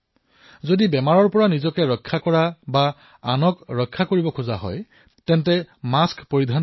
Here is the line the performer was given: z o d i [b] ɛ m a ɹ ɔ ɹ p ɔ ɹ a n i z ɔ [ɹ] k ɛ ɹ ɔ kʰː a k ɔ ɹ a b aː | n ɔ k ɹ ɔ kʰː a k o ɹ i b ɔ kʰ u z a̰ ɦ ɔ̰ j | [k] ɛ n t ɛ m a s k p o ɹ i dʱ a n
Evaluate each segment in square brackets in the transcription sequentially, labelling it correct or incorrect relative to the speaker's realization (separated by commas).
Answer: correct, incorrect, incorrect